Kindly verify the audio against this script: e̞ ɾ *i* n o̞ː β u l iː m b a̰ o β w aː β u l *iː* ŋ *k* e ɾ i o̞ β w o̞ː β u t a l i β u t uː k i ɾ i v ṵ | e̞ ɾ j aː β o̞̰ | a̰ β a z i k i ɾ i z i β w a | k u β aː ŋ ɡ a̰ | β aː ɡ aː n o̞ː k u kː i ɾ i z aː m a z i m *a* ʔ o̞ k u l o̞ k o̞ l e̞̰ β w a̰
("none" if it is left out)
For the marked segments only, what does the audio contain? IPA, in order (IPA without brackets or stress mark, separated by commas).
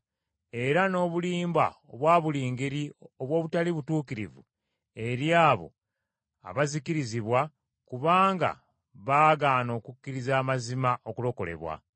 a, iː, ɡ, a